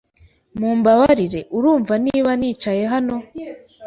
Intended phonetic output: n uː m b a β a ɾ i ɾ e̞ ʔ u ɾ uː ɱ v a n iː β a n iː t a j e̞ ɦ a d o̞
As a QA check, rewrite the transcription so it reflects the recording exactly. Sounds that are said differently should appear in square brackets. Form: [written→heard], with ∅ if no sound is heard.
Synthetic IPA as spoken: [n→m] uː m b a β a ɾ i ɾ e̞ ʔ u ɾ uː ɱ v a n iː β a n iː [t→t͡ʃ] a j e̞ ɦ a [d→n] o̞